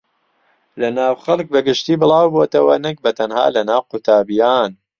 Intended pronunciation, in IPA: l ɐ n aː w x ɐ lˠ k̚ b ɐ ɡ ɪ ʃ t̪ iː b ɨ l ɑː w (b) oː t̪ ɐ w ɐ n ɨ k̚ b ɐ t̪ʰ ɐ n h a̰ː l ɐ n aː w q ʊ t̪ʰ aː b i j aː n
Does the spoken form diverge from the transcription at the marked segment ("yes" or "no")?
no